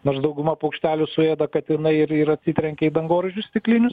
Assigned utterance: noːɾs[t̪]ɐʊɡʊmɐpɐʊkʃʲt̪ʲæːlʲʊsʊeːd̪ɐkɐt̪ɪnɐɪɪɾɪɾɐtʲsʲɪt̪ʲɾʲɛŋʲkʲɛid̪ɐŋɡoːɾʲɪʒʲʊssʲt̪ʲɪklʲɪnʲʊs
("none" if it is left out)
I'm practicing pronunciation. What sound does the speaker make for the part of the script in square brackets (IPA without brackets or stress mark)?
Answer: d̪